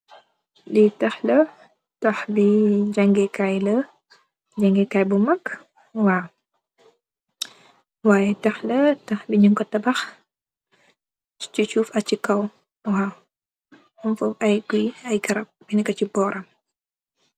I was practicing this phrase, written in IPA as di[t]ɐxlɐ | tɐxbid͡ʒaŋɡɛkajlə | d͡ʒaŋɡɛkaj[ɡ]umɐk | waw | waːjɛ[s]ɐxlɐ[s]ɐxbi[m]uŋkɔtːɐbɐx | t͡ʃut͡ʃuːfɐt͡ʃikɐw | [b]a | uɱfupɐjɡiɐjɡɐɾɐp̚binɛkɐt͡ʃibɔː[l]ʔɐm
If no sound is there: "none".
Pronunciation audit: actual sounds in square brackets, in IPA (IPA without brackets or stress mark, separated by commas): t, b, t, t, ɲ, w, ɾ